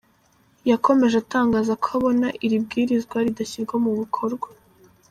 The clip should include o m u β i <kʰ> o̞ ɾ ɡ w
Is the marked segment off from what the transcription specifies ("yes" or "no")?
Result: no